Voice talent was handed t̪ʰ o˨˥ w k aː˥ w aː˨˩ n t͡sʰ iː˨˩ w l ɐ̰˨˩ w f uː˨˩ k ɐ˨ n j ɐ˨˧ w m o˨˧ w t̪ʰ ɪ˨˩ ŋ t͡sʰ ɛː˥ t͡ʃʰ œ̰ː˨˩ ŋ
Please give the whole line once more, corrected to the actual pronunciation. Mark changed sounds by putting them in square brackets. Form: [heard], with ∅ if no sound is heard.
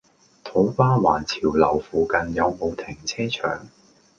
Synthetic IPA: t̪ʰ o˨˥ w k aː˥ w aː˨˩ n t͡sʰ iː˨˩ w l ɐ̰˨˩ w f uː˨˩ k ɐ˨ n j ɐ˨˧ w m o˨˧ w t̪ʰ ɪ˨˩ ŋ t͡sʰ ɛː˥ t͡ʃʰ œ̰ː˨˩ ŋ